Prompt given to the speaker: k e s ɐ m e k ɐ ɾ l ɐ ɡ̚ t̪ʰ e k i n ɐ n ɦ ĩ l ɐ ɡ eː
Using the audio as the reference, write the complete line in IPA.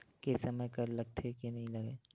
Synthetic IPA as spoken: k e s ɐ m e k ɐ ɾ l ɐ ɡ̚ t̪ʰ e k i n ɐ ɦ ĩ l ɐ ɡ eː